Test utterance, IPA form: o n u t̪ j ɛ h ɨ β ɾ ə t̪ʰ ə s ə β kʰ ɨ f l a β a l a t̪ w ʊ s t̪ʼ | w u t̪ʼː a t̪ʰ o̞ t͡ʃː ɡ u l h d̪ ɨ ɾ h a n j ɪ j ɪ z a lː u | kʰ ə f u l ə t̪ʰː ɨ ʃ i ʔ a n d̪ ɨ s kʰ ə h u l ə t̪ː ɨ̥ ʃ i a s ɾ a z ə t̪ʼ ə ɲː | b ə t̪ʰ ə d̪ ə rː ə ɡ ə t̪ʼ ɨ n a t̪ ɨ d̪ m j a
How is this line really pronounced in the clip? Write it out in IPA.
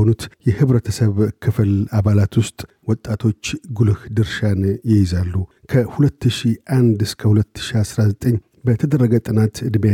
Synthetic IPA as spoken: o n u t̪ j ɛ h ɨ β ɾ ə t̪ʰ ə s ə β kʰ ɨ f l a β a l a t̪ w ʊ s t̪ʼ | w ɔ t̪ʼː a t̪ʰ o̞ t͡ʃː ɡ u l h d̪ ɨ ɾ ʃ a n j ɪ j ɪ z a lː u | kʰ ə h u l ə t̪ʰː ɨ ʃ i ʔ a n d̪ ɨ s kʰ ə h u l ə t̪ː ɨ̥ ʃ i a s ɾ a z ə t̪ʼ ə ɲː | b ə t̪ʰ ə d̪ ə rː ə ɡ ə t̪ʼ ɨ n a t̪ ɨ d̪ m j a